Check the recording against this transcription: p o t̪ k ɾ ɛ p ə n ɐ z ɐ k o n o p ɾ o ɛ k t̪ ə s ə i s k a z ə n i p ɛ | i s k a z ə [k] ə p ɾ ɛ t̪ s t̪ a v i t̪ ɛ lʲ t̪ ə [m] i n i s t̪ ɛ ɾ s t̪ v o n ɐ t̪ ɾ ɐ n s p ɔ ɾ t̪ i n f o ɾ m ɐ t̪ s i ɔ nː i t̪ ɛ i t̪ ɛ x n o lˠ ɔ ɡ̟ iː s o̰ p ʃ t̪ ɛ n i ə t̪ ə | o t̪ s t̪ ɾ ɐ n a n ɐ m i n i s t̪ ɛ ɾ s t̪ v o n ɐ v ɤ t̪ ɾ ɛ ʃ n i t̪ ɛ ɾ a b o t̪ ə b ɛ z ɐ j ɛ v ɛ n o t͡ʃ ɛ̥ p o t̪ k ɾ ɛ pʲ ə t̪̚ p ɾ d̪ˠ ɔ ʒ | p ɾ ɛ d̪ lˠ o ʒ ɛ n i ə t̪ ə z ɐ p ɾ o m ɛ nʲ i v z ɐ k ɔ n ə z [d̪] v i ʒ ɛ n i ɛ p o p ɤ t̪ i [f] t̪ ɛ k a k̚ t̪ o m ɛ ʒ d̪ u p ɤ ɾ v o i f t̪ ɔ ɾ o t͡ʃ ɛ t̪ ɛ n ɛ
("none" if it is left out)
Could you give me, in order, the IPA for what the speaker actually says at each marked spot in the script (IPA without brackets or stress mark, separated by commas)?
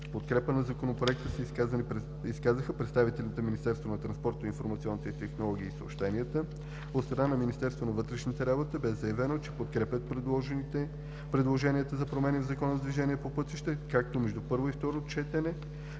x, m, d̪, ʃ